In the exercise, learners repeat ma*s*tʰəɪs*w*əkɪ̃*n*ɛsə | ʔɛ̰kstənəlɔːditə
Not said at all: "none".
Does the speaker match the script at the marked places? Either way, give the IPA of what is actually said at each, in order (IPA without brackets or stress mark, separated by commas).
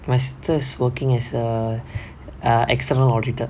s, w, ŋ